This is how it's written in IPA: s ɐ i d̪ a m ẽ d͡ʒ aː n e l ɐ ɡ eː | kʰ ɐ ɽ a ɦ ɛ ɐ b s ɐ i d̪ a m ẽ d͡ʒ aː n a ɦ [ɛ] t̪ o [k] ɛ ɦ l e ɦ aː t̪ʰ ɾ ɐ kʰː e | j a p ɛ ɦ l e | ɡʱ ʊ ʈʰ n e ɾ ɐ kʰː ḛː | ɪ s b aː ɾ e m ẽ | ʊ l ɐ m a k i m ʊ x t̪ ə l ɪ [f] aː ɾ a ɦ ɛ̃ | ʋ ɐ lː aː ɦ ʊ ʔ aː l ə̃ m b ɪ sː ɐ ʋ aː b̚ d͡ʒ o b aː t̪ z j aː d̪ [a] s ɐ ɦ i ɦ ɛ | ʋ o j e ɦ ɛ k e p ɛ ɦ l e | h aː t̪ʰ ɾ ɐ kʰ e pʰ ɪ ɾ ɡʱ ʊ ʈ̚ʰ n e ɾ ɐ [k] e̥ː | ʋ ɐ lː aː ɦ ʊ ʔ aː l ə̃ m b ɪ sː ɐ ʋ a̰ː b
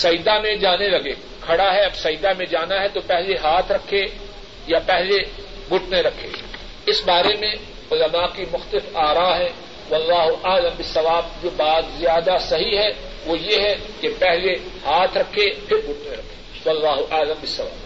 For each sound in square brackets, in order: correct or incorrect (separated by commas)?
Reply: correct, incorrect, correct, correct, incorrect